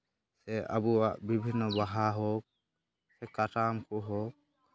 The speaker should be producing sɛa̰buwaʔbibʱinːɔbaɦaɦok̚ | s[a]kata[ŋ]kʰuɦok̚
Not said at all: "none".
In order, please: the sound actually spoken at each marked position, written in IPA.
ɛ, m

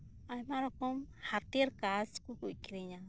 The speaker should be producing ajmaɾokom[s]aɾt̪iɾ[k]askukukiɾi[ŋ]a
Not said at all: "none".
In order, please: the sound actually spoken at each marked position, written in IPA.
h, k, ɲ

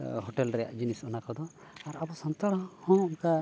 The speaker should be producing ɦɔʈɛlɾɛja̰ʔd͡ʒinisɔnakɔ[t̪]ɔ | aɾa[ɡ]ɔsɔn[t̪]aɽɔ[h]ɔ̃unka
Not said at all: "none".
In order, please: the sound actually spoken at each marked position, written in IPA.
d̪, b, t̪, h

